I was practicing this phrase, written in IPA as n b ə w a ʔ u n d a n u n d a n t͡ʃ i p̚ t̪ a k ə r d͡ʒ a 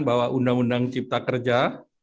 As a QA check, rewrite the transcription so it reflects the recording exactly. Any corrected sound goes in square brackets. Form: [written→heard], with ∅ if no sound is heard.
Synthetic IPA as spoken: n b [ə→a] w a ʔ u n d a [n→ŋ] u n d a [n→ŋ] t͡ʃ i p̚ t̪ a k ə r d͡ʒ a